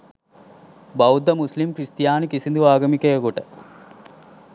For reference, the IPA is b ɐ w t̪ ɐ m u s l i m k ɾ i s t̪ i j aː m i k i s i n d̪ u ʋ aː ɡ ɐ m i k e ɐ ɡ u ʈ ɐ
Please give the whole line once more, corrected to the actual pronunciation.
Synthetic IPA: b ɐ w d̪ ɐ m u s l i m k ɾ i s t̪ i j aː n i k i s i n d̪ u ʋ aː ɡ ɐ m i k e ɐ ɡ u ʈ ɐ